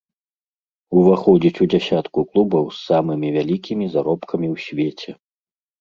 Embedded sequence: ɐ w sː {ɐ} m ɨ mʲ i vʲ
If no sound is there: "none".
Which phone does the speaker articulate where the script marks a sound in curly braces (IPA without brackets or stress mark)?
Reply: a